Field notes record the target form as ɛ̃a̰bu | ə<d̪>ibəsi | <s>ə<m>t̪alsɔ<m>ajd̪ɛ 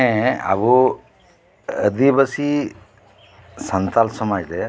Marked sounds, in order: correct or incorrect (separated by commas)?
correct, correct, incorrect, correct